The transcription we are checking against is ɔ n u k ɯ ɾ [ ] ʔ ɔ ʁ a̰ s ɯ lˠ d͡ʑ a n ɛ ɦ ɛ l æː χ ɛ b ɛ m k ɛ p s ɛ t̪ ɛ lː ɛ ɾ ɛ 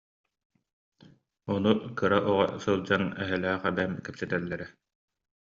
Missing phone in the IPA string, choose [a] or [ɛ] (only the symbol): a